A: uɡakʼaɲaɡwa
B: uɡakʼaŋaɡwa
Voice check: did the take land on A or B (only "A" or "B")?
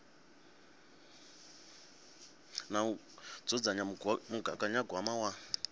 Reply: A